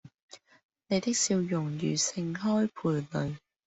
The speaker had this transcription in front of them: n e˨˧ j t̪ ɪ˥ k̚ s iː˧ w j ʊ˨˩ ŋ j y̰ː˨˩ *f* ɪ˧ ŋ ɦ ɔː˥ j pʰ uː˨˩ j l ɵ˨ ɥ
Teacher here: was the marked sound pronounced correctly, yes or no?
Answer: no